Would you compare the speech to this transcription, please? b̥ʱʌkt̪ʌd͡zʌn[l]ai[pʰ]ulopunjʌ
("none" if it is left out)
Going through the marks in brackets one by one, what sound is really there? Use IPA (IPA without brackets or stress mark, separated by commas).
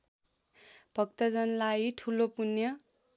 l, ʈʰ